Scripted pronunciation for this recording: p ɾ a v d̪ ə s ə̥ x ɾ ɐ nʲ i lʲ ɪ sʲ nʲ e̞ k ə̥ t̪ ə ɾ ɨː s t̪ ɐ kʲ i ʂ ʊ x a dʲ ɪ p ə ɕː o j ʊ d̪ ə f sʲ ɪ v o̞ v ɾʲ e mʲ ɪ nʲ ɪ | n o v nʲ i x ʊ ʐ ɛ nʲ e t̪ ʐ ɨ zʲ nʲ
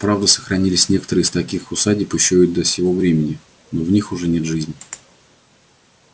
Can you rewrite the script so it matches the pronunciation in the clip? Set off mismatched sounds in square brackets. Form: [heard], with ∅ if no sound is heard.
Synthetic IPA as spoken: p ɾ a v d̪ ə s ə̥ x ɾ ɐ nʲ i lʲ ɪ sʲ nʲ e̞ k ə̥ t̪ ə ɾ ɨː s t̪ ɐ kʲ i [x] ʊ [s] a dʲ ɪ p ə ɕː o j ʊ d̪ ə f sʲ ɪ v o̞ v ɾʲ e mʲ ɪ nʲ ɪ | n o v nʲ i x ʊ ʐ ɛ nʲ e t̪ ʐ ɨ zʲ nʲ